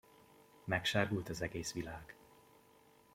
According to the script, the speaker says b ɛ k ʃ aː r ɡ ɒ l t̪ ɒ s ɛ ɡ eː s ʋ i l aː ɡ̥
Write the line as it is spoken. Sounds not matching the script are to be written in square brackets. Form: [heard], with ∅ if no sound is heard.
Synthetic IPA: [m] ɛ k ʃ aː r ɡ [u] l t̪ ɒ [z] ɛ ɡ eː s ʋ i l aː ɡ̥